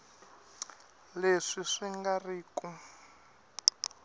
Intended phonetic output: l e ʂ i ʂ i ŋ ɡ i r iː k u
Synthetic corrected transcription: l e ʂ i ʂ i ŋ ɡ a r iː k u